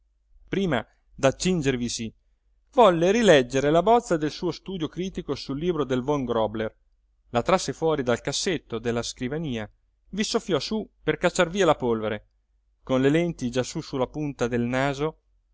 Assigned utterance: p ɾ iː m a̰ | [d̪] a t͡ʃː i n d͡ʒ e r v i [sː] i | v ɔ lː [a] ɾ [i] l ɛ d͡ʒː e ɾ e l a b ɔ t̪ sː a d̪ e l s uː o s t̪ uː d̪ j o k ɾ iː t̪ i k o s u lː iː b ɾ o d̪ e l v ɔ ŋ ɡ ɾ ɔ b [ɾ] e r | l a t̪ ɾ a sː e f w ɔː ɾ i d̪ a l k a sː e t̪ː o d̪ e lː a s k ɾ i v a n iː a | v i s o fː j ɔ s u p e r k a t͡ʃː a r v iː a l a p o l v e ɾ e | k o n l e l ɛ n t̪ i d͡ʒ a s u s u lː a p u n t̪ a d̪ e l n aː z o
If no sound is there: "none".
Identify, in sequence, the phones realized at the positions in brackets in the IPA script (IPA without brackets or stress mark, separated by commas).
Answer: d̪, s, e, i, l